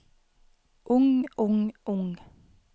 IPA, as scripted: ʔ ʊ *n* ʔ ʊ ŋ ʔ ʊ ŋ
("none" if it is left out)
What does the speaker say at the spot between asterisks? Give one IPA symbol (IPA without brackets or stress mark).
ŋ